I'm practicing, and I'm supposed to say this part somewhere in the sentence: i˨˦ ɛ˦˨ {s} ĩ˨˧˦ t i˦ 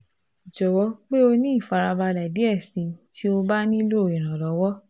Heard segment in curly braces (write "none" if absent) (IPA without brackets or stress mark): s